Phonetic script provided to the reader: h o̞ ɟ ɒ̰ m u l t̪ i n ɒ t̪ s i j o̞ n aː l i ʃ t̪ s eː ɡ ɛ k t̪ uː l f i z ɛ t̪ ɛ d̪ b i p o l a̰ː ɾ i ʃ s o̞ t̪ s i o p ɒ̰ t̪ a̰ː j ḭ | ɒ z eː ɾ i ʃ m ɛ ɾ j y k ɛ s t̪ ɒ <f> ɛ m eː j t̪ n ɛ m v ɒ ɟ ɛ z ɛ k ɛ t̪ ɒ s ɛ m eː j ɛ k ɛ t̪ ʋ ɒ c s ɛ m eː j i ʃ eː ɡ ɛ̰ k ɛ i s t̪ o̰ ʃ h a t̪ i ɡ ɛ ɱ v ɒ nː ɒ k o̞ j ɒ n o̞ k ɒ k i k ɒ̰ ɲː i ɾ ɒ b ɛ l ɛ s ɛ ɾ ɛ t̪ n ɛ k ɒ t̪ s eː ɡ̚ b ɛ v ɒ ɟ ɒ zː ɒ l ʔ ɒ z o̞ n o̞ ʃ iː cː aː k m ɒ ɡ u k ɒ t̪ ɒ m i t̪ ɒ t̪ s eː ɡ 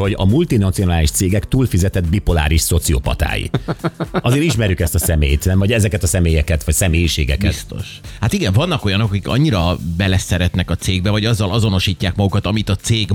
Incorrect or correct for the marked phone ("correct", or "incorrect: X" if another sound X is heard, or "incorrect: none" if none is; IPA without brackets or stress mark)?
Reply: incorrect: s